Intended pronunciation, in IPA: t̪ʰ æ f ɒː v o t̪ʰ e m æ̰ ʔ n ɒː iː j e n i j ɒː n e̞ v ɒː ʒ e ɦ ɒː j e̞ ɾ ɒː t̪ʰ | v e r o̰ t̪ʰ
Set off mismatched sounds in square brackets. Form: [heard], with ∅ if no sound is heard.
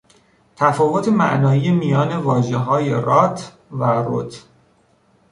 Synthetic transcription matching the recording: t̪ʰ æ f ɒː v o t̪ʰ e m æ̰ ʔ n ɒː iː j e [m] i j ɒː n e̞ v ɒː ʒ e ɦ ɒː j e̞ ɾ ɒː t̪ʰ | v [æ] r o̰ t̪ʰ